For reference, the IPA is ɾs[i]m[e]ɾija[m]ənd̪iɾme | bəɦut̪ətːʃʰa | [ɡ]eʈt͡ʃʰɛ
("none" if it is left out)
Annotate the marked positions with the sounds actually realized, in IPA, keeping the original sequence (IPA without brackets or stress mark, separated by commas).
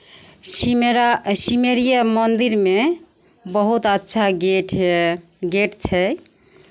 i, e, m, ɡ